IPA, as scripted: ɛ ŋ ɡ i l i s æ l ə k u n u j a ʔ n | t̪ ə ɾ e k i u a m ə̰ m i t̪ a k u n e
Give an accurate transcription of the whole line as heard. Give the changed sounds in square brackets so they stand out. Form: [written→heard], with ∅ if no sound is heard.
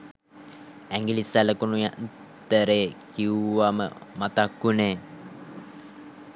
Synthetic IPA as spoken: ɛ ŋ ɡ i l i s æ l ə k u n u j a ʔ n | t̪ ə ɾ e k i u a m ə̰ m [i→a] t̪ a k u n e